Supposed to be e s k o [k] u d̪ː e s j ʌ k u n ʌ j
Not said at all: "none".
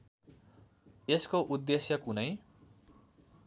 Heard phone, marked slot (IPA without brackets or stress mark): ʔ